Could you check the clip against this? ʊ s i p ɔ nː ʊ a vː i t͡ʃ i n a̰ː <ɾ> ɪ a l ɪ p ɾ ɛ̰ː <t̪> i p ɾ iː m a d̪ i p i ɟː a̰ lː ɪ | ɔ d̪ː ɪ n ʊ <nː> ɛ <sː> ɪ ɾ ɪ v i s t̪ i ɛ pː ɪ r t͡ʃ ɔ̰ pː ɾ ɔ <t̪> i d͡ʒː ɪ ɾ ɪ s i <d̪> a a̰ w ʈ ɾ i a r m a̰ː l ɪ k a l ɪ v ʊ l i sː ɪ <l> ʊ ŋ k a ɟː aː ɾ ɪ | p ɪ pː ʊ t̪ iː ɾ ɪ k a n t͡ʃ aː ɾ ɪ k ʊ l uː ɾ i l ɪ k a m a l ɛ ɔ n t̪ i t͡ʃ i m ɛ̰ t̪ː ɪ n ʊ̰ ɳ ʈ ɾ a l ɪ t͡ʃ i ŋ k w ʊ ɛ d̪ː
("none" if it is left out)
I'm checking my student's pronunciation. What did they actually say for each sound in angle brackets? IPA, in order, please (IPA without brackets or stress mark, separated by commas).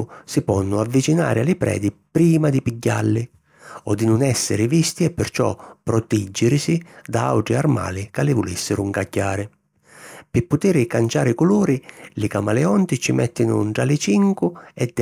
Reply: ɾ, d̪, n, sː, t̪, d̪, ɾ